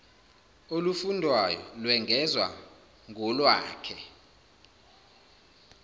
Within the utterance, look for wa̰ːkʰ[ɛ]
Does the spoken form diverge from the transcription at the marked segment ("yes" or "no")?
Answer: no